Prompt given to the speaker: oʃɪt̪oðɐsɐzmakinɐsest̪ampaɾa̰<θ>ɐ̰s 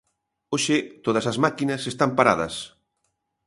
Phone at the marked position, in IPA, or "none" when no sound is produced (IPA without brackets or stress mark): ð